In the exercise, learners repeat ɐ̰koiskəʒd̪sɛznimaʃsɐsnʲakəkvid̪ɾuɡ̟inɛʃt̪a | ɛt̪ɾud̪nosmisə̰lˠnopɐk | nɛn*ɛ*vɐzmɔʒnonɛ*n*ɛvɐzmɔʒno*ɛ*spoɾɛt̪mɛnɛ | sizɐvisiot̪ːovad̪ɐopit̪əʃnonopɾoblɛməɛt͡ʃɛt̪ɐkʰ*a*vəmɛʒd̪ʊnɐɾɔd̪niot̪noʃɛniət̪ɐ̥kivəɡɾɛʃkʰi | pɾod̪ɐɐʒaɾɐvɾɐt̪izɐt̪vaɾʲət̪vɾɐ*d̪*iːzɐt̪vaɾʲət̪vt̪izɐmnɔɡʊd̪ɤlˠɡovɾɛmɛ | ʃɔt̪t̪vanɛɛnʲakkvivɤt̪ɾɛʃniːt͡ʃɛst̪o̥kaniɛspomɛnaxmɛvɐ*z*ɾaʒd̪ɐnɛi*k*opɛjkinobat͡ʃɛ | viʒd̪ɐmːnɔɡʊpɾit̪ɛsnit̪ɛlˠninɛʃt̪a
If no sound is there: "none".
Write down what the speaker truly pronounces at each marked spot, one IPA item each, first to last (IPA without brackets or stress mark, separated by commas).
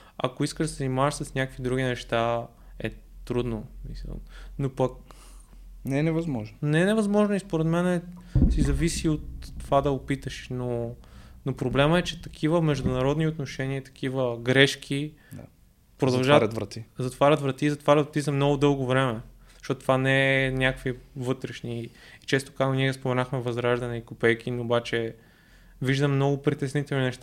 ɛ, n, i, i, t̪, z, k